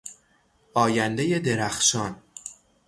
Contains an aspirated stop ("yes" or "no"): no